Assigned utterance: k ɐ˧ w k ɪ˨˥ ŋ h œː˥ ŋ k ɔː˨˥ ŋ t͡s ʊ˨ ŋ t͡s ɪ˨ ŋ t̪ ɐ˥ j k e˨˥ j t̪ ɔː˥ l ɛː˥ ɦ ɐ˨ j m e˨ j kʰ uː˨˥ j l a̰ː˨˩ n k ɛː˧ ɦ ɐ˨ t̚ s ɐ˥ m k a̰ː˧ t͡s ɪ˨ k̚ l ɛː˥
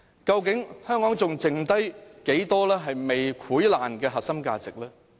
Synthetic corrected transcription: k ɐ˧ w k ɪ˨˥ ŋ h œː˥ ŋ k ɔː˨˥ ŋ t͡s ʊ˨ ŋ t͡s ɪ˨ ŋ t̪ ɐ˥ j k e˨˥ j t̪ ɔː˥ l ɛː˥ ɦ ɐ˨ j m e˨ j kʰ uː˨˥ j l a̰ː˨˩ n k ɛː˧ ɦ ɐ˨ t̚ s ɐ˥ m k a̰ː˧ t͡s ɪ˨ k̚ l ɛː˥

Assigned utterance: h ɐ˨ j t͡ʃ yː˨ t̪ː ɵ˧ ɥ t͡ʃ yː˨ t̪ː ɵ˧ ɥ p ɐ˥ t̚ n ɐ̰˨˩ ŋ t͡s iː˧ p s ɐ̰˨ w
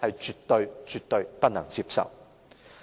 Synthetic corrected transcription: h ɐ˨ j t͡ʃ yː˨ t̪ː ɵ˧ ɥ t͡ʃ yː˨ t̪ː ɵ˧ ɥ p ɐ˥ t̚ n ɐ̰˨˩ ŋ t͡s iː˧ p s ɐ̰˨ w

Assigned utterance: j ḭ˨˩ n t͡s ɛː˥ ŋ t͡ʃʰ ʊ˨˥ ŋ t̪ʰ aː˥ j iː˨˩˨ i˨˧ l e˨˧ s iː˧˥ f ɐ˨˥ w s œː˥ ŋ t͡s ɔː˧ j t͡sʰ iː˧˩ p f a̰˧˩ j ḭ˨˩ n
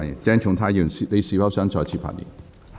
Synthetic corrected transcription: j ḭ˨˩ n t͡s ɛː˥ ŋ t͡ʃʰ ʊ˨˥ ŋ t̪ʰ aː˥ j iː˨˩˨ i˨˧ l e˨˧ s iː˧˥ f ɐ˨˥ w s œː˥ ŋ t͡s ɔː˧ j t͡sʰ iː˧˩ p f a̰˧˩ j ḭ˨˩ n

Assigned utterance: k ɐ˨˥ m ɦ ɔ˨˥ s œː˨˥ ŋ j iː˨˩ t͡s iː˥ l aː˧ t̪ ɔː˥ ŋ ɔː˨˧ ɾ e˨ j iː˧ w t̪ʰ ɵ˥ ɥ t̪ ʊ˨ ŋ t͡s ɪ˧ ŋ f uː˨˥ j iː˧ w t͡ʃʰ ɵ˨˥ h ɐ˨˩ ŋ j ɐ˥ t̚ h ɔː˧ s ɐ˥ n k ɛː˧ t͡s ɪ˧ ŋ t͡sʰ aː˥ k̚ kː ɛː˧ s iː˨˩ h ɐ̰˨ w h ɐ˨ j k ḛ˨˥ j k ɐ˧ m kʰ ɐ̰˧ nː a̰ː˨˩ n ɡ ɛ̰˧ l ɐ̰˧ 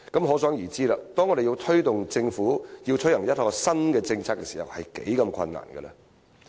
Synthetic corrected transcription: k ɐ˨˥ m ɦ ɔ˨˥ s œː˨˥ ŋ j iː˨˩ t͡s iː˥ l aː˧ t̪ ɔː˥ ŋ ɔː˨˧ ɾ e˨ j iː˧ w t̪ʰ ɵ˥ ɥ t̪ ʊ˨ ŋ t͡s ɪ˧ ŋ f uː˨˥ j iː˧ w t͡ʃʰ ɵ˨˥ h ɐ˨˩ ŋ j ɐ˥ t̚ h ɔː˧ s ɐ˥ n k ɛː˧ t͡s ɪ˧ ŋ t͡sʰ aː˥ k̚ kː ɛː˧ s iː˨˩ h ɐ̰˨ w h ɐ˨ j k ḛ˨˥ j k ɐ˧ m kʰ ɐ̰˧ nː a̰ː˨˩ n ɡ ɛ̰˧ l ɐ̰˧

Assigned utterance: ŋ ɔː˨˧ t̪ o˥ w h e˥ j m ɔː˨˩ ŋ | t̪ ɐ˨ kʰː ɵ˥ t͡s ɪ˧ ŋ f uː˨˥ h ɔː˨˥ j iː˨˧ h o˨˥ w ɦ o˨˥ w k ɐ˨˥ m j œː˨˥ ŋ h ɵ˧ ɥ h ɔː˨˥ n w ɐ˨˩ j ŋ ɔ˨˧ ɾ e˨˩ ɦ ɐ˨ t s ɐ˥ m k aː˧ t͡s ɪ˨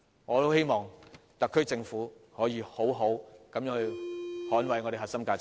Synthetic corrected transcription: ŋ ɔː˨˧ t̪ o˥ w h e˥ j m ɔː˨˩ ŋ | t̪ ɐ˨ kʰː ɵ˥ t͡s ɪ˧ ŋ f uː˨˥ h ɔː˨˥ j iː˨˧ h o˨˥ w ɦ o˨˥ w k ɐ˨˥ m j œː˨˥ ŋ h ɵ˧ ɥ h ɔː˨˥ n w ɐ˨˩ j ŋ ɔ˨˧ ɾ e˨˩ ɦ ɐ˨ t s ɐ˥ m k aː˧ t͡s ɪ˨

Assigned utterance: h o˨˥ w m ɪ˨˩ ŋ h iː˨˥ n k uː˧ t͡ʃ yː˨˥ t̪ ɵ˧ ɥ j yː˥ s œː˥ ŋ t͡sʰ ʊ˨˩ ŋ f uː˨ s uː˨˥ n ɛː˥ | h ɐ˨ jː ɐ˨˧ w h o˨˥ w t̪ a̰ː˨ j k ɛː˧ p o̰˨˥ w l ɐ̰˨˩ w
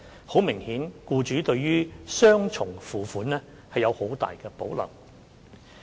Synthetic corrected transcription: h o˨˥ w m ɪ˨˩ ŋ h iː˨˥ n k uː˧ t͡ʃ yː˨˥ t̪ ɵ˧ ɥ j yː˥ s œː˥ ŋ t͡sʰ ʊ˨˩ ŋ f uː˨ f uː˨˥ n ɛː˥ | h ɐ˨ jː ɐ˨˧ w h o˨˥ w t̪ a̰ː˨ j k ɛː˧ p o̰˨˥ w l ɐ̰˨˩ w

